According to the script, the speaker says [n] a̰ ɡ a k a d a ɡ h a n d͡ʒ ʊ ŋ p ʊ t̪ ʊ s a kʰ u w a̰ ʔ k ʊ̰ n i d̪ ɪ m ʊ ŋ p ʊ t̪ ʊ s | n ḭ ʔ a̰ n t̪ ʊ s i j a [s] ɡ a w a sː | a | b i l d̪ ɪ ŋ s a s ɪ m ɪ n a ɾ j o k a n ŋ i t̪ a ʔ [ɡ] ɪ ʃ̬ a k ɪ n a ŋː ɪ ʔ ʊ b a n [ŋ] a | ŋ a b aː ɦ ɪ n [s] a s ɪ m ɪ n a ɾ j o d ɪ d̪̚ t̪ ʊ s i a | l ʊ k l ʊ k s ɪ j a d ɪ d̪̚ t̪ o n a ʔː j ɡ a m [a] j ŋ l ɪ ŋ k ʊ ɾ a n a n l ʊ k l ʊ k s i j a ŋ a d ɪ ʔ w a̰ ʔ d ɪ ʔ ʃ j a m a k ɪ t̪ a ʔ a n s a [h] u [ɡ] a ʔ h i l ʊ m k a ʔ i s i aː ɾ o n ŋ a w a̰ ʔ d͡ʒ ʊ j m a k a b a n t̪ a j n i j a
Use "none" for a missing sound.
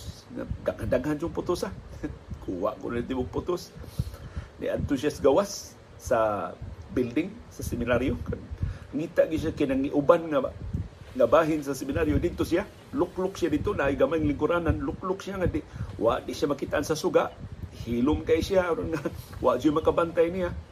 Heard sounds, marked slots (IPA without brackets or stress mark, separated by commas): ŋ, s, ɡ, ŋ, s, a, s, ɡ